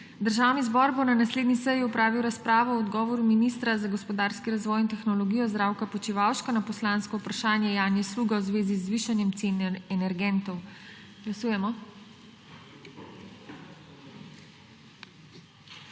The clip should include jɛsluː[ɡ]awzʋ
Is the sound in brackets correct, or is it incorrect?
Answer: correct